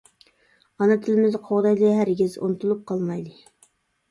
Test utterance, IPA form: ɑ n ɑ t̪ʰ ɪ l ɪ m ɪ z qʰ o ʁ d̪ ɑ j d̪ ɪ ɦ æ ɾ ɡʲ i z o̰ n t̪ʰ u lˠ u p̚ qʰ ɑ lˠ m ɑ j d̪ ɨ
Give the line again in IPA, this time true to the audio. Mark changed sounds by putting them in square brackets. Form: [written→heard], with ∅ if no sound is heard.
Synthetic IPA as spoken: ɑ n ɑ t̪ʰ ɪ l ɪ m ɪ z qʰ o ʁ d̪ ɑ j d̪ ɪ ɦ æ ɾ ɡʲ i z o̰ n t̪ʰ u lˠ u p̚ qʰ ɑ lˠ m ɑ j d̪ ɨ